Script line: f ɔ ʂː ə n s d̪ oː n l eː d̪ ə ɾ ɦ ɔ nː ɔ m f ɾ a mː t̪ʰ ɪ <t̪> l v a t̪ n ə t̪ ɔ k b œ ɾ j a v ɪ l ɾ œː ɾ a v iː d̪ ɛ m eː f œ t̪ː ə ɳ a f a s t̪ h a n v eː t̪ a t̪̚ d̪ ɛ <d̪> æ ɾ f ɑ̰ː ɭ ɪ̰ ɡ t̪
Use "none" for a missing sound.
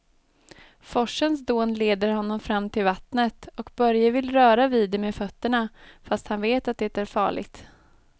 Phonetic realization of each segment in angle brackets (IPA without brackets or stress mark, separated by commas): none, t̪